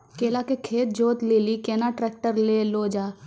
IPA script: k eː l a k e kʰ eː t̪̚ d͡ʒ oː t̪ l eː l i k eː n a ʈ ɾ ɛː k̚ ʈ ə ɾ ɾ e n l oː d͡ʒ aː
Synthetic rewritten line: k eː l a k e kʰ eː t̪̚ d͡ʒ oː t̪ l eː l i k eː n a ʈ ɾ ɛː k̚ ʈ ə ɾ l e l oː d͡ʒ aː